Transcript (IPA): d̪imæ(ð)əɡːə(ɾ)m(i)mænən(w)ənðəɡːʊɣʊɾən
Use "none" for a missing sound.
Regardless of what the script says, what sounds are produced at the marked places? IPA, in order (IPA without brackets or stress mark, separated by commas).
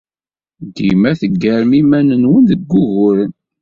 θ, ɾ, i, w